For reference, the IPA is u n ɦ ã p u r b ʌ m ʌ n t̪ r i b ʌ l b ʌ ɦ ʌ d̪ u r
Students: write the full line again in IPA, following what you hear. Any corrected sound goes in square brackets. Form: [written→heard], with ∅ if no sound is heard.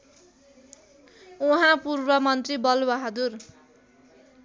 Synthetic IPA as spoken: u [n→∅] ɦ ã p u r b ʌ m ʌ n t̪ r i b ʌ l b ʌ ɦ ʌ d̪ u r